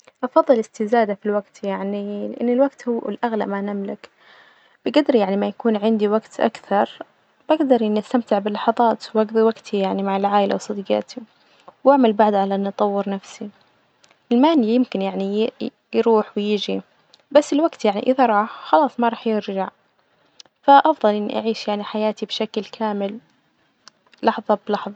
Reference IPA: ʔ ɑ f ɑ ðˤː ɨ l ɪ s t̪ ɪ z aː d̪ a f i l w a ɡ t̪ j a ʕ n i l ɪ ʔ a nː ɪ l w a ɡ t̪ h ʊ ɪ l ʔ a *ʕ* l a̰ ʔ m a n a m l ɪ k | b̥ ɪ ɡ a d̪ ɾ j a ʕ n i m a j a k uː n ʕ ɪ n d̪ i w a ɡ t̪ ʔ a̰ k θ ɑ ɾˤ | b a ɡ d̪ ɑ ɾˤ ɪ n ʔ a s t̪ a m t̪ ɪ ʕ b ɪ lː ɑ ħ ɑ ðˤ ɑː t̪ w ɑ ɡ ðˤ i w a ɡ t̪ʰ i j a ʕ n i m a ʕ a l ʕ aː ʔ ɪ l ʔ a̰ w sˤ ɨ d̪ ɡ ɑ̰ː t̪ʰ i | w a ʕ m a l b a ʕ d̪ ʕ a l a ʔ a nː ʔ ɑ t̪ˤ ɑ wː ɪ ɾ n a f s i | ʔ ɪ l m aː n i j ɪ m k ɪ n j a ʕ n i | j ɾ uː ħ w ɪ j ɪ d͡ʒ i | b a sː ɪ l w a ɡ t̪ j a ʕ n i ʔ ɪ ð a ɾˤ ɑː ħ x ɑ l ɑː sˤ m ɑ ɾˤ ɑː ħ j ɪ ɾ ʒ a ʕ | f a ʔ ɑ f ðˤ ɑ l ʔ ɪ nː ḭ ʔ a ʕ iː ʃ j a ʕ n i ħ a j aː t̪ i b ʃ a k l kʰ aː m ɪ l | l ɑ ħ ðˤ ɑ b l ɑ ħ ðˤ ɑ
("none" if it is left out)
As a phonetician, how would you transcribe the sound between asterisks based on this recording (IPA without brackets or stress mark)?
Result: ɣ